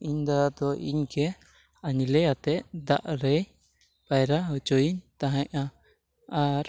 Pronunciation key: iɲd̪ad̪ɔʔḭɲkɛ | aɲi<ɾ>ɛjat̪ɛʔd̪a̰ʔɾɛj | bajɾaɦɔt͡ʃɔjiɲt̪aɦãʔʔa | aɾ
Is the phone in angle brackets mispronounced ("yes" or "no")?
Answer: yes